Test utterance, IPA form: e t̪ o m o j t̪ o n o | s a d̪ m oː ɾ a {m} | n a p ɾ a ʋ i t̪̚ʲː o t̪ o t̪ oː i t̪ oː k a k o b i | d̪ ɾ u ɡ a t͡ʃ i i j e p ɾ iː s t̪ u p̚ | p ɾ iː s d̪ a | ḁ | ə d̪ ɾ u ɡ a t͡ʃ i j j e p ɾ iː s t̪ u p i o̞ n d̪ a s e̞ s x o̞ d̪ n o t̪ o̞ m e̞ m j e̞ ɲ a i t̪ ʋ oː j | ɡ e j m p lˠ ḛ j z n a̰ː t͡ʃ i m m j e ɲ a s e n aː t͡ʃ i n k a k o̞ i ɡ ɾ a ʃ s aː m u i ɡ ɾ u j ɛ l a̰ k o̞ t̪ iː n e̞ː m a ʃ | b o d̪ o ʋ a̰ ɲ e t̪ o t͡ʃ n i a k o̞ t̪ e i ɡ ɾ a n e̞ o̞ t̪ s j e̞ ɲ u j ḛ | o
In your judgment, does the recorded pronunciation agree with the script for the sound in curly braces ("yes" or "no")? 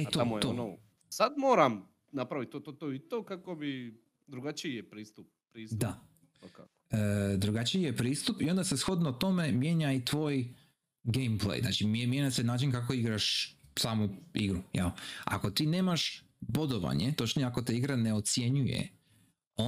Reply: yes